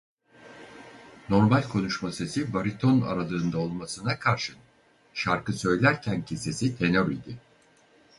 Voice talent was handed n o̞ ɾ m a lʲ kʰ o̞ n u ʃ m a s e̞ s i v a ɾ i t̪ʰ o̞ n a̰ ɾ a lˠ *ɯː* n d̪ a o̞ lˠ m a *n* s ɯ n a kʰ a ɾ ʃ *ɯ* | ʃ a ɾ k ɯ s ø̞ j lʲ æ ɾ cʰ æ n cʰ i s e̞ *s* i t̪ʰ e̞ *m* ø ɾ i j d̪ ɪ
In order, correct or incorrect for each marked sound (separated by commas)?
correct, incorrect, correct, correct, incorrect